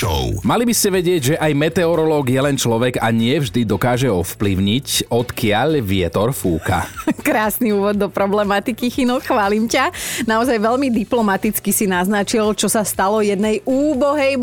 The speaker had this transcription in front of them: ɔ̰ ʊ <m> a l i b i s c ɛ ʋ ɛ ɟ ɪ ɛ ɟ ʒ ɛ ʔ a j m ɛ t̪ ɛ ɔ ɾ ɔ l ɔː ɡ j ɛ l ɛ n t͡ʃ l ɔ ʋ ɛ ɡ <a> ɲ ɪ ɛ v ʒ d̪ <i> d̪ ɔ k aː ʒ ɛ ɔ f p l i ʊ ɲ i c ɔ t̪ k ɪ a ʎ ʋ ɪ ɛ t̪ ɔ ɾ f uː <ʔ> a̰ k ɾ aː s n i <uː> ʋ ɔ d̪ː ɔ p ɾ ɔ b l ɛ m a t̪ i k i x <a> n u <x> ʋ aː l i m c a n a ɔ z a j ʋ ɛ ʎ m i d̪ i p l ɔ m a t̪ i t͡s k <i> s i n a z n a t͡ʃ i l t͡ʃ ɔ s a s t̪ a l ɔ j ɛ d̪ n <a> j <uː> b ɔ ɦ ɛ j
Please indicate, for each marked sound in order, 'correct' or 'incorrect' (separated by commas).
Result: correct, correct, correct, incorrect, correct, incorrect, correct, correct, incorrect, correct